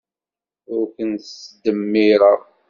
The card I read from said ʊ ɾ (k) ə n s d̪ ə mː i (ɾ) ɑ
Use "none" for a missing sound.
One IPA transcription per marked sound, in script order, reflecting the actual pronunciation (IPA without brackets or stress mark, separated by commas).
k, ɾ